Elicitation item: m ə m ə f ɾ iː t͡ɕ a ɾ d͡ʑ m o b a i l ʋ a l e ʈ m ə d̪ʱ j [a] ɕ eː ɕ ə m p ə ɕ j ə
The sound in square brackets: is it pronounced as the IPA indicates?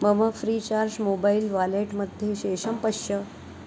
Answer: no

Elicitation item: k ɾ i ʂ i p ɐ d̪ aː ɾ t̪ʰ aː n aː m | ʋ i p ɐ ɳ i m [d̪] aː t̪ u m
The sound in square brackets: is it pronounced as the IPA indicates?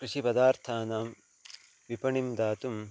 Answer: yes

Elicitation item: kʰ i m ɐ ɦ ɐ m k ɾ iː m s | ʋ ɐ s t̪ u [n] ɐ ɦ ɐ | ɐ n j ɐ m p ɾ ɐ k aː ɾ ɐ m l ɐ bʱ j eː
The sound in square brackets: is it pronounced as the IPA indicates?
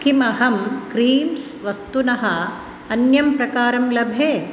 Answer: yes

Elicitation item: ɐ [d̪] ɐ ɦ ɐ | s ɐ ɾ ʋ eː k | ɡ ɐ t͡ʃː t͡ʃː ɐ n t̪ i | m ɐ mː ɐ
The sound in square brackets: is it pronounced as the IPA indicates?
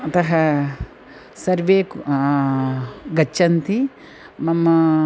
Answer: no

